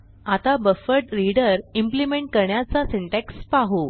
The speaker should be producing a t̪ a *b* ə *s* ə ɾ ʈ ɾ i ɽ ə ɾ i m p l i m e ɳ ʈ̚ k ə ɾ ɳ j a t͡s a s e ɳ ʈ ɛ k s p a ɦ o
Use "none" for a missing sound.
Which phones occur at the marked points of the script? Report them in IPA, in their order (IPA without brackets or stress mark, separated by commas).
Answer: b, f